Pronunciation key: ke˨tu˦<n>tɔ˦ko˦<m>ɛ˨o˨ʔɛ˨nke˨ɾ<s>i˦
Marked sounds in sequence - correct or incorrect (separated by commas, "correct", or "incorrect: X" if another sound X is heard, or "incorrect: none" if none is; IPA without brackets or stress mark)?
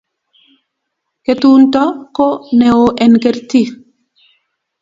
correct, incorrect: n, incorrect: t